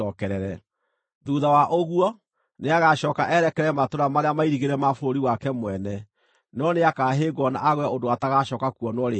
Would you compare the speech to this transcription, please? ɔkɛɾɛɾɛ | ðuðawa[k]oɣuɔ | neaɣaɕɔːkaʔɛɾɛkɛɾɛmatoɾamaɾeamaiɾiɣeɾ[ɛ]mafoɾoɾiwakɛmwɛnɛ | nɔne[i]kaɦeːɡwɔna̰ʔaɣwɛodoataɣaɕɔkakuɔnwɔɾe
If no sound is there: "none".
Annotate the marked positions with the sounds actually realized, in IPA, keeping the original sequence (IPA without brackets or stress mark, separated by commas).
ʔ, ɛ, a